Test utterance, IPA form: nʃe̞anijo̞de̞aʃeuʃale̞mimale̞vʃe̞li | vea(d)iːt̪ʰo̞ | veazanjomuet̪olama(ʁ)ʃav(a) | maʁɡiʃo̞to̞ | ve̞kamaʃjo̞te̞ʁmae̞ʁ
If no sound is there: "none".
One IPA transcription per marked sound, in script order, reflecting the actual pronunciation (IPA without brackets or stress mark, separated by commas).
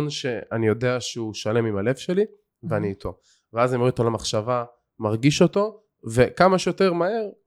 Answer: n, χ, a